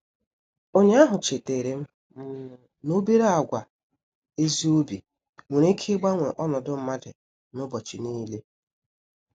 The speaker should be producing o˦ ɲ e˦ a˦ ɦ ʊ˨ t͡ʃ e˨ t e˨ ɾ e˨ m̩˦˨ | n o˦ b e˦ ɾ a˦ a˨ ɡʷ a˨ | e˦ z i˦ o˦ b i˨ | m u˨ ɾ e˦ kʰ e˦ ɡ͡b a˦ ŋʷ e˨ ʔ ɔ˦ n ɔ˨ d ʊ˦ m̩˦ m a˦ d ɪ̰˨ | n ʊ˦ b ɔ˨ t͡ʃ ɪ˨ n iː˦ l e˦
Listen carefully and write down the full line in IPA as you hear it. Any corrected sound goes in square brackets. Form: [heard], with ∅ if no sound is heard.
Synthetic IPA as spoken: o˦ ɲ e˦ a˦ ɦ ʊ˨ t͡ʃ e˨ t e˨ ɾ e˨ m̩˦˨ | n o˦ b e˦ ɾ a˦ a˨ ɡʷ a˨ | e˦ z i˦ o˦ b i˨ | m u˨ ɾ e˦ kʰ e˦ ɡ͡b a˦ ŋʷ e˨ ʔ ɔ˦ n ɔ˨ d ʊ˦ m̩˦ m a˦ d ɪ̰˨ | n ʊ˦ b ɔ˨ t͡ʃ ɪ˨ n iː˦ l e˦